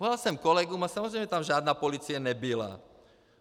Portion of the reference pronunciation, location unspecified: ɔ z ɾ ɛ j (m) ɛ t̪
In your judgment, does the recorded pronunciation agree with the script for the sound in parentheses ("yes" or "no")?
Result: yes